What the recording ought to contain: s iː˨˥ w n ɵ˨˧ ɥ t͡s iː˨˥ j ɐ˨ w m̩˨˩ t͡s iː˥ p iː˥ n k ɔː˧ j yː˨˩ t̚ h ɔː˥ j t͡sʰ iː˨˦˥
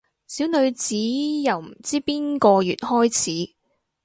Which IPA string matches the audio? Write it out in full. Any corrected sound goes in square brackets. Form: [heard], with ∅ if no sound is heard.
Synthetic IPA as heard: s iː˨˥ w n ɵ˨˧ ɥ t͡s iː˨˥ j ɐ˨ w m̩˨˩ t͡s iː˥ p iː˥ n k ɔː˧ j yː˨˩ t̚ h ɔː˥ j t͡sʰ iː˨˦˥